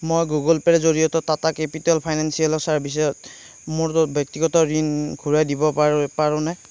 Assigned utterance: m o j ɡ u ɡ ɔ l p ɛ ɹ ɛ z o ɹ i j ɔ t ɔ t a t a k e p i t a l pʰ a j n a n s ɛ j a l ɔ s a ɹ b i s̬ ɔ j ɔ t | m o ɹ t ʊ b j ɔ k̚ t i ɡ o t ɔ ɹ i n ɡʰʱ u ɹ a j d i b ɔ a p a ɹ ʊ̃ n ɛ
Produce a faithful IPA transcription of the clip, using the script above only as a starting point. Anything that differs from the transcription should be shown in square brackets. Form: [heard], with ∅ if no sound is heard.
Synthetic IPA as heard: m o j ɡ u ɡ ɔ l p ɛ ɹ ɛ z o ɹ i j ɔ t ɔ t a t a k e p i t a l pʰ a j n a n s [i] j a l ɔ s a ɹ b i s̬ ɔ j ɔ t | m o ɹ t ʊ b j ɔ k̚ t i ɡ [ɔ] t ɔ ɹ i n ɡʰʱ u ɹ a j d i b ɔ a p a ɹ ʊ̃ n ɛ